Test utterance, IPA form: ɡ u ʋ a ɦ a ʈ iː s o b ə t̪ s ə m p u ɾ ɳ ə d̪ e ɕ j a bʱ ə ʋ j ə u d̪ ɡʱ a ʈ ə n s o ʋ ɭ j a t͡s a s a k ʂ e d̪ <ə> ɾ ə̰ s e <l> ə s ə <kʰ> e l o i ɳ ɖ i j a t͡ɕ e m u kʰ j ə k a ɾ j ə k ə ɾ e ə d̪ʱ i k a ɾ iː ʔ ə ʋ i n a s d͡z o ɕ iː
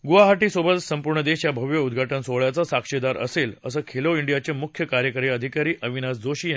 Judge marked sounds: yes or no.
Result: no, yes, yes

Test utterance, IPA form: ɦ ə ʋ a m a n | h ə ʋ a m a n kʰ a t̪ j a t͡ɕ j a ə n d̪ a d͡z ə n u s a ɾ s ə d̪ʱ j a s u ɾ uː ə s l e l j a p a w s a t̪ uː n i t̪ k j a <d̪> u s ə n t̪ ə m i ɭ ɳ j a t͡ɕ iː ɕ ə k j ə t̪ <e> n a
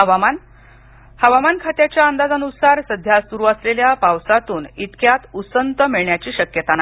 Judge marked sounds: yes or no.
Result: no, no

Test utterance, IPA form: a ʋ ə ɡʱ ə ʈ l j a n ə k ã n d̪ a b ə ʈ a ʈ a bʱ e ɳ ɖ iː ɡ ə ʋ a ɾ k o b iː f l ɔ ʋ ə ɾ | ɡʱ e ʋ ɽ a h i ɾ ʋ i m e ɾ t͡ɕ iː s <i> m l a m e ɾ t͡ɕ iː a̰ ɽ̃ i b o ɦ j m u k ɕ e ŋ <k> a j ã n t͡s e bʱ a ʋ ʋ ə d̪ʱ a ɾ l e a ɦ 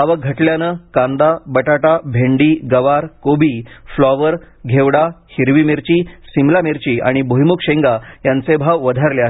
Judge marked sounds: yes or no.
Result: yes, no

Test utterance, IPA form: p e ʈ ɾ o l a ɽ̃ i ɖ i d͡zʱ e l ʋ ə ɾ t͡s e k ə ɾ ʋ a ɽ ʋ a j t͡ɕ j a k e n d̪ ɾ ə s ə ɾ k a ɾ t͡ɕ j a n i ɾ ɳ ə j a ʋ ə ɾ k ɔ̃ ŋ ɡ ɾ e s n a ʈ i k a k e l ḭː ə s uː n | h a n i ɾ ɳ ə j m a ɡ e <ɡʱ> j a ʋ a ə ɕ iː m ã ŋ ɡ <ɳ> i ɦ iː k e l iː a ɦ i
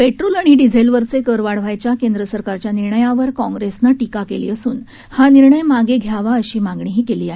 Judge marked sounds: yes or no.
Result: yes, yes

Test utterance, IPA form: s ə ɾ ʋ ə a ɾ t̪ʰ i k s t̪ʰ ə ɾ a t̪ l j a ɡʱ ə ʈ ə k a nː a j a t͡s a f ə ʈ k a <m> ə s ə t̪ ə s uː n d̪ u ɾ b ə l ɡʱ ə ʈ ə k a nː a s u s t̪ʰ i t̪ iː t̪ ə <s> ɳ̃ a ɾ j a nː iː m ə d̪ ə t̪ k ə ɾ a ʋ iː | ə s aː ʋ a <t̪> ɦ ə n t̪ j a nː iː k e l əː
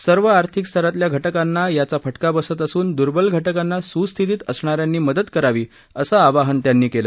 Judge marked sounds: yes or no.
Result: no, yes, no

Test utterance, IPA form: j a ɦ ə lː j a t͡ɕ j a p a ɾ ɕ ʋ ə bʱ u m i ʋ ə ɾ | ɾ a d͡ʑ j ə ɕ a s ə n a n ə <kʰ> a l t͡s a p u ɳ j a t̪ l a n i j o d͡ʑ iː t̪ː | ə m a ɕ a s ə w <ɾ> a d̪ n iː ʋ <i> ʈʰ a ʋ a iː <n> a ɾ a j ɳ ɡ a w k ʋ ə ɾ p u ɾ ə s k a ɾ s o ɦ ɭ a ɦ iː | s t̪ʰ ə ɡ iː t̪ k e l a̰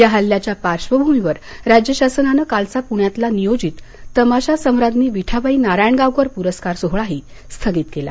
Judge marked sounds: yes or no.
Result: no, yes, yes, yes

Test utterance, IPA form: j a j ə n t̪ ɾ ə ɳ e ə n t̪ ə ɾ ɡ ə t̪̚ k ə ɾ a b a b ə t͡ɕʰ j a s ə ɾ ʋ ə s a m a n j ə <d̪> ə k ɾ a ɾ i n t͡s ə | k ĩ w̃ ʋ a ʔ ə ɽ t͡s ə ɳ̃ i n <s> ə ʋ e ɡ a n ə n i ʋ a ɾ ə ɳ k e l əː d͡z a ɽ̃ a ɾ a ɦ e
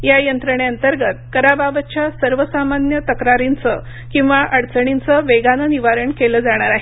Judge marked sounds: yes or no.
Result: no, no

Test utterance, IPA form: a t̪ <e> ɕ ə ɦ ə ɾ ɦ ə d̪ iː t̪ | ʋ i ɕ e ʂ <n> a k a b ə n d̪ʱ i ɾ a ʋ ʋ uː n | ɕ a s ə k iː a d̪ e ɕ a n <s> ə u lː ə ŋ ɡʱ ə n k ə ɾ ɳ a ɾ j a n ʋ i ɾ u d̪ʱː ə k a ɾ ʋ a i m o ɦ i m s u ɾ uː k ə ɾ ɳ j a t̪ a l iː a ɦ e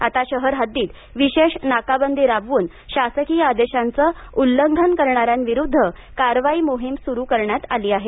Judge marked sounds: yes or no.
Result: no, yes, no

